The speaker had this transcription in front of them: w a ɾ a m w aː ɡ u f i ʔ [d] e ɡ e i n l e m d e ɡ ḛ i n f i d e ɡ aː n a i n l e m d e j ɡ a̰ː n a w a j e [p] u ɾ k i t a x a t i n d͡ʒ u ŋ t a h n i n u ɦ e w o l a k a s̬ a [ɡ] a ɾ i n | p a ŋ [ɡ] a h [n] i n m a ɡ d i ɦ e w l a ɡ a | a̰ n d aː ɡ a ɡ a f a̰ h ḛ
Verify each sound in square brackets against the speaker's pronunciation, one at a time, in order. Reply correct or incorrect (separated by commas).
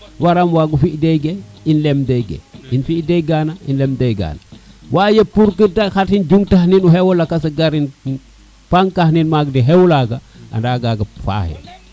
correct, correct, correct, incorrect, correct